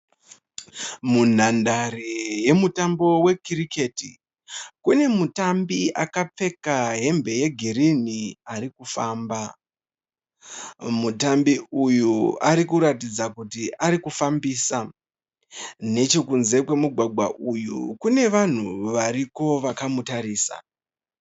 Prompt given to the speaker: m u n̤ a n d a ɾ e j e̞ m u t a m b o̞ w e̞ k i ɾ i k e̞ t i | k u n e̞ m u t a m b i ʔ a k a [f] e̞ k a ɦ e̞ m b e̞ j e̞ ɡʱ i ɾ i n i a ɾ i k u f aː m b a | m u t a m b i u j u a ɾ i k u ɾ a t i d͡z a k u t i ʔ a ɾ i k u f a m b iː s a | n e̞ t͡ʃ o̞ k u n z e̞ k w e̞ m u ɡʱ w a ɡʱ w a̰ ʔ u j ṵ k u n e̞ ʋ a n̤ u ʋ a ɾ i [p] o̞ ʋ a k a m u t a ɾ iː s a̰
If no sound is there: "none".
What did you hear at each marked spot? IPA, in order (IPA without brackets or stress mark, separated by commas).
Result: p͡f, k